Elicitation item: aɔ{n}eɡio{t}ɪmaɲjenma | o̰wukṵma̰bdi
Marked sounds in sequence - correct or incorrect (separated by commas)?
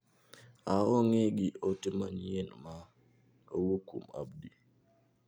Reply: incorrect, correct